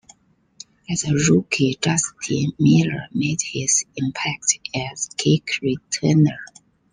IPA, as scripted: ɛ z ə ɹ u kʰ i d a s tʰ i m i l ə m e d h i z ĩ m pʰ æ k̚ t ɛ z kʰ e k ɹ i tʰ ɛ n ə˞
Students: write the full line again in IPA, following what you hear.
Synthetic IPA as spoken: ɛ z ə ɹ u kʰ i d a s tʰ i m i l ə m e d h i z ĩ m pʰ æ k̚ t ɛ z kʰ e k ɹ i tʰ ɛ n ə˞